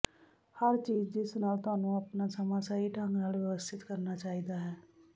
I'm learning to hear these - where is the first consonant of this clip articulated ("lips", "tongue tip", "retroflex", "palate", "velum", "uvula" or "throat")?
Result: throat